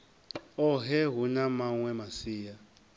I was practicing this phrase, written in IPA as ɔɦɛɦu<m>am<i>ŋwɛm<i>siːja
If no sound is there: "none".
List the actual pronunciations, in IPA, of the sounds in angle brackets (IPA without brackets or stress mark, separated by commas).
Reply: n, a, a